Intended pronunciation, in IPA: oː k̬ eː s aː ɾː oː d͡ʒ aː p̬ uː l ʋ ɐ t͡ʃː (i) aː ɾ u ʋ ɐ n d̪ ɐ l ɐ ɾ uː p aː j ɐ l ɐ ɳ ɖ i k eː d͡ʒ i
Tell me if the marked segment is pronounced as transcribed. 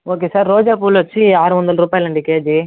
yes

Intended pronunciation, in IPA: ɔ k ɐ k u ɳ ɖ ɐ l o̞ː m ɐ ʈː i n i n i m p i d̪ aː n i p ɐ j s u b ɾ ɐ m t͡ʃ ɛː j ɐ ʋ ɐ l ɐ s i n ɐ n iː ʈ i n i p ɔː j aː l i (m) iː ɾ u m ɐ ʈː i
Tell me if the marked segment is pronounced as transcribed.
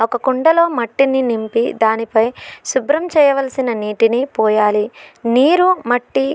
no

